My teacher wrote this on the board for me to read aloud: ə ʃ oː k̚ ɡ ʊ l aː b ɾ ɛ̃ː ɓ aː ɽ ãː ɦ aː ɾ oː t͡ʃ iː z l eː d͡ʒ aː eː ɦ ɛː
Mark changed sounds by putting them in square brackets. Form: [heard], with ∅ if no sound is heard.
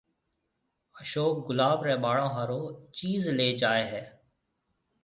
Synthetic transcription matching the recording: ə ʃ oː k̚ ɡ ʊ l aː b ɾ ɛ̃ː ɓ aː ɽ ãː ɦ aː ɾ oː t͡ʃ iː z l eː d͡ʒ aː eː ɦ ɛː